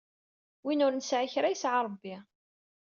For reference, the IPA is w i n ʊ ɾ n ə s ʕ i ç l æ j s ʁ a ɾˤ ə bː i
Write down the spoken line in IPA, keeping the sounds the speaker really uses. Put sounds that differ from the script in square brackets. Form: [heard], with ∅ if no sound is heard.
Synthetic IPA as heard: w i n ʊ ɾ n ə s ʕ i ç [ɾ] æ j s [ʕ] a ɾˤ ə bː i